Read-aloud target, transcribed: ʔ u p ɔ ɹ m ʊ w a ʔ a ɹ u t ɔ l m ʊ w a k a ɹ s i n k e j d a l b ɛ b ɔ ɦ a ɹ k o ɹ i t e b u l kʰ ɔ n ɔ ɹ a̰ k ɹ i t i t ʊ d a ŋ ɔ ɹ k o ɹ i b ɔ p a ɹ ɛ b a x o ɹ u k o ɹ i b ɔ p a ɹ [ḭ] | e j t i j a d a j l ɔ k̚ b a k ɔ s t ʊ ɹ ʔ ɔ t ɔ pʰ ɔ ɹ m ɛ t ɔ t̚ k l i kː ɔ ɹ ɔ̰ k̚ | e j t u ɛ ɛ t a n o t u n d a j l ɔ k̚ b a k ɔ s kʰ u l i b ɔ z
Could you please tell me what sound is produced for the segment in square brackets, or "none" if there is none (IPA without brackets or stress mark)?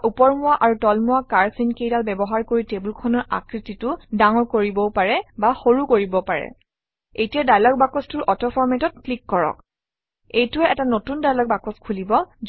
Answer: ɛ̰